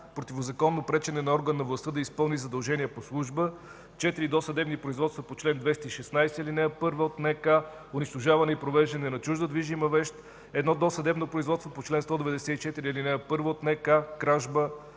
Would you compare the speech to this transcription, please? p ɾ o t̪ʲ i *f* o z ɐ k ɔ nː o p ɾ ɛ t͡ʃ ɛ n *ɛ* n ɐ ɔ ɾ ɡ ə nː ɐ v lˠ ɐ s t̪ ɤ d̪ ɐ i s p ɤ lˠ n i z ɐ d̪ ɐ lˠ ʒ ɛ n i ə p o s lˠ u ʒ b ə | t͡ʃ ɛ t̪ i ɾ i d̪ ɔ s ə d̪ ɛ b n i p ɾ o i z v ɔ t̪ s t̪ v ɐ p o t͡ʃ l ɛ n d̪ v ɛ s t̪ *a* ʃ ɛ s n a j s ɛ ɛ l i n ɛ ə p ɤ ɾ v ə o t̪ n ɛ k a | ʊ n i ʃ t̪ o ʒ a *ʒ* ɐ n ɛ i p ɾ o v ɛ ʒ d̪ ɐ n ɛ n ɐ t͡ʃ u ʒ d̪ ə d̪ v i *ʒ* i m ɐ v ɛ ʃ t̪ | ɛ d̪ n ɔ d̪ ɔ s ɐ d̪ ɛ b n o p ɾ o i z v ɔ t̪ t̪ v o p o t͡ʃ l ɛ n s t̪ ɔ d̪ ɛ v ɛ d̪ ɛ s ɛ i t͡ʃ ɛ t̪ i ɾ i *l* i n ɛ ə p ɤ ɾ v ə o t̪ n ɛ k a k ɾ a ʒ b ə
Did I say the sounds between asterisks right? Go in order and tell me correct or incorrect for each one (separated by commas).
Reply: incorrect, correct, incorrect, incorrect, correct, correct